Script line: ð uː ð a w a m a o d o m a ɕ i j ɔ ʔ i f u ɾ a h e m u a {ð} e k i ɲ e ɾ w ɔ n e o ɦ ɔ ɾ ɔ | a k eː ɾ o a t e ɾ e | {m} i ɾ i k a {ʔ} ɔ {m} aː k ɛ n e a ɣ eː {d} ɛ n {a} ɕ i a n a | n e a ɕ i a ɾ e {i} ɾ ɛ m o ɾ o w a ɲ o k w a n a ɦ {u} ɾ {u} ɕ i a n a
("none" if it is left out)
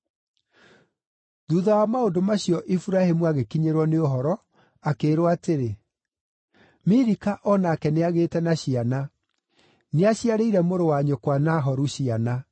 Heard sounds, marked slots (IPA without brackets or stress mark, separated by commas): ɣ, m, ʔ, n, t, a, i, ɔ, u